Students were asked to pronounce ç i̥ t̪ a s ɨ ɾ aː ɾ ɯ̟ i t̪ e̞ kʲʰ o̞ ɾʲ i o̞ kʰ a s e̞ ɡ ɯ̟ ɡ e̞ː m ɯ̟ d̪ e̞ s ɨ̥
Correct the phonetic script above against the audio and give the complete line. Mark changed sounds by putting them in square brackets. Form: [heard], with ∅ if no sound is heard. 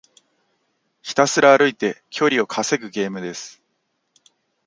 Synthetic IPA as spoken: ç i̥ t̪ a s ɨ ɾ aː ɾ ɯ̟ i t̪ e̞ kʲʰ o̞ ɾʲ i o̞ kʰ a s e̞ ɡ ɯ̟ ɡ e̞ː m ɯ̟ d̪ e̞ s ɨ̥